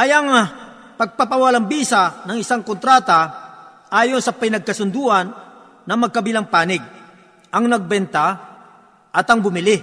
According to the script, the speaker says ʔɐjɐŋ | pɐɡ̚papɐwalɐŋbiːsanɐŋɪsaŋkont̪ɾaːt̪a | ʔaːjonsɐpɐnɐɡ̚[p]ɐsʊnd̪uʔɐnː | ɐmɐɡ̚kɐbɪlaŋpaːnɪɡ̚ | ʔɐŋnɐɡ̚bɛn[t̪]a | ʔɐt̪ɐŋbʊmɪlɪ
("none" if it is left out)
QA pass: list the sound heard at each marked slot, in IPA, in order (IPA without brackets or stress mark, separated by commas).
k, t̪